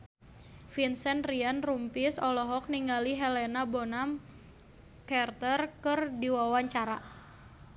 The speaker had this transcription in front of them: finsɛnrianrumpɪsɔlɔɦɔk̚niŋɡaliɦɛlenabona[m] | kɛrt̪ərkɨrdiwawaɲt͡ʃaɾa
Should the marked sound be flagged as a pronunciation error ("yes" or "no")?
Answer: no